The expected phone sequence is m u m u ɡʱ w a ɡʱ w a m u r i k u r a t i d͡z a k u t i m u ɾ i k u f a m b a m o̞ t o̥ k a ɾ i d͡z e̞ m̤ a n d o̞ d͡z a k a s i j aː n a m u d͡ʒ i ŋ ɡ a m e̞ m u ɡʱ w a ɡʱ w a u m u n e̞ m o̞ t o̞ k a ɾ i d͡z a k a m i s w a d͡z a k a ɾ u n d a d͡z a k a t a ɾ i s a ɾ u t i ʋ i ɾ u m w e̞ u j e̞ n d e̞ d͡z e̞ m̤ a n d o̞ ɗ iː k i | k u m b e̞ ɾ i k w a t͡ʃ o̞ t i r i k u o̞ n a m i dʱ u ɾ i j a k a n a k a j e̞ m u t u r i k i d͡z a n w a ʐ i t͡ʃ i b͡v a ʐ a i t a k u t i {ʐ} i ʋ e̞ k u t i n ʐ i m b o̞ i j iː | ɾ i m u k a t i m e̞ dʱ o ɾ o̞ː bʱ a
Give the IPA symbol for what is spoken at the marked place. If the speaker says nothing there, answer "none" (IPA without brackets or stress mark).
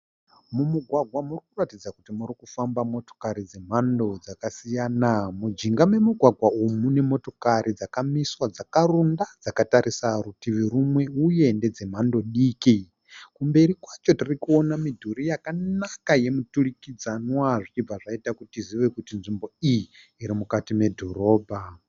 z